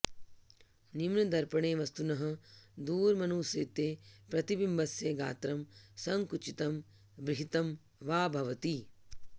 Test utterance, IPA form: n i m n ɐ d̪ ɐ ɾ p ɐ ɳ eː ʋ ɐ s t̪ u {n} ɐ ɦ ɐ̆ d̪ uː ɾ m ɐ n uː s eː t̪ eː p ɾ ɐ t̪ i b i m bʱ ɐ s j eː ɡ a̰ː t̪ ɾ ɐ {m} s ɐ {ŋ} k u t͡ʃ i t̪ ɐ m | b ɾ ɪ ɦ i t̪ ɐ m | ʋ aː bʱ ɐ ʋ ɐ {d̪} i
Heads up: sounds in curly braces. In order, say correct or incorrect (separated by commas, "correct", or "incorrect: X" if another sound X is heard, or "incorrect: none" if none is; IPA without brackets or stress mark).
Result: correct, correct, correct, incorrect: t̪